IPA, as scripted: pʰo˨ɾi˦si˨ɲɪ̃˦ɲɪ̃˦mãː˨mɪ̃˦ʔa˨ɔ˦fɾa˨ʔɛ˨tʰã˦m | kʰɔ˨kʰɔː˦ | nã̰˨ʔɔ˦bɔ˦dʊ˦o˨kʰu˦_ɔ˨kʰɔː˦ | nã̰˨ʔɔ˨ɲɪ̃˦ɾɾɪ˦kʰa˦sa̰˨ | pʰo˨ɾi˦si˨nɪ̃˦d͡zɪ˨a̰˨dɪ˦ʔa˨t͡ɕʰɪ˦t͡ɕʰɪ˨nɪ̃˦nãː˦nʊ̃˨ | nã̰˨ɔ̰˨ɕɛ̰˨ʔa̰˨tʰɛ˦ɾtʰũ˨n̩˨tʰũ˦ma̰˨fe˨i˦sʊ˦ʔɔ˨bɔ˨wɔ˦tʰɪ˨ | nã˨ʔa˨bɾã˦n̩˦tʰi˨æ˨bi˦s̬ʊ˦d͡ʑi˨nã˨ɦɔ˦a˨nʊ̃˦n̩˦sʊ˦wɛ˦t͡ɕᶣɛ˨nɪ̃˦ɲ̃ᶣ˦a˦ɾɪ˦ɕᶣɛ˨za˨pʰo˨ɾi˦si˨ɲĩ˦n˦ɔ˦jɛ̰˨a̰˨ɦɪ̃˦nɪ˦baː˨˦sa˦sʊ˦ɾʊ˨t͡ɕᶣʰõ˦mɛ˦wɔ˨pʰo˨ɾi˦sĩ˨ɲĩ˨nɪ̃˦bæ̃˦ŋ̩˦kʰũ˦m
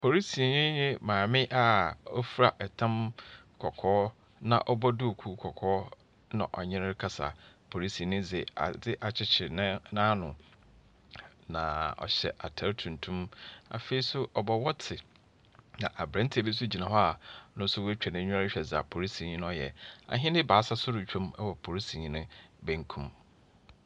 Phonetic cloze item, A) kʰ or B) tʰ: A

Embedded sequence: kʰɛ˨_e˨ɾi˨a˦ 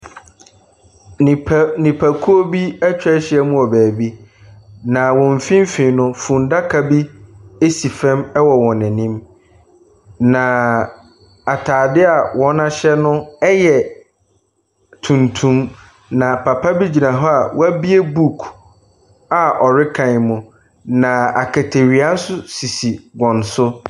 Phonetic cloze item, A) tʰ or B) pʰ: A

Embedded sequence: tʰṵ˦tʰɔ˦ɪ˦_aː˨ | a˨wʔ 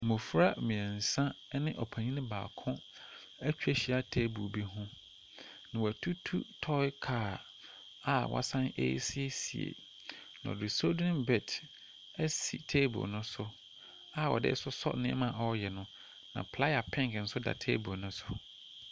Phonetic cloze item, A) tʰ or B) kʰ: B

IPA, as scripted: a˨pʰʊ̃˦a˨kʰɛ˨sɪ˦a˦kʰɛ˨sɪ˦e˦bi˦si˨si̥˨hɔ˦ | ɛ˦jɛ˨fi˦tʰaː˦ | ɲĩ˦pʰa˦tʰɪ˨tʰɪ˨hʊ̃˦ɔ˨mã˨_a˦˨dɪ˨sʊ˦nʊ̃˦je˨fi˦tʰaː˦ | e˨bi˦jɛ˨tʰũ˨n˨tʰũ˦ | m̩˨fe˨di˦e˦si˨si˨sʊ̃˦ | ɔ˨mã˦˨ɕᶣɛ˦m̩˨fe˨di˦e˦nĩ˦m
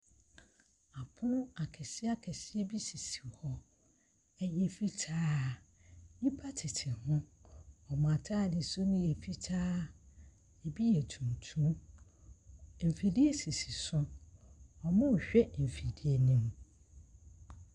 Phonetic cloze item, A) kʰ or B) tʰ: B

